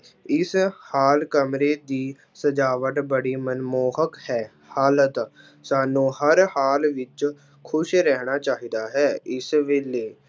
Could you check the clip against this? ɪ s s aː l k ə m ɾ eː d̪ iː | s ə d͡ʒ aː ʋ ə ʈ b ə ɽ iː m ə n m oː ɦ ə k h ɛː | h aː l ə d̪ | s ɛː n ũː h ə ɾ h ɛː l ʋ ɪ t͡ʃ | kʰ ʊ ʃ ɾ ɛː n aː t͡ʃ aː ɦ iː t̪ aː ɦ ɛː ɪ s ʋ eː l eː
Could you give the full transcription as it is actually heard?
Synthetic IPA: ɪ s h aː l k ə m ɾ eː d̪ iː | s ə d͡ʒ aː ʋ ə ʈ b ə ɽ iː m ə n m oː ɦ ə k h ɛː | h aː l ə t̪ | s aː n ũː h ə ɾ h aː l ʋ ɪ t͡ʃ | kʰ ʊ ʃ ɾ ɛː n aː t͡ʃ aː ɦ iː d̪ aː ɦ ɛː ɪ s ʋ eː l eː